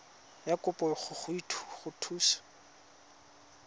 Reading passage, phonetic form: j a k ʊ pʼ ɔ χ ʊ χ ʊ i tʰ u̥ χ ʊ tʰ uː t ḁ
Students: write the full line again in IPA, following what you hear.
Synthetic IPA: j a k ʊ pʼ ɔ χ ʊ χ ʊ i tʰ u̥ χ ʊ tʰ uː s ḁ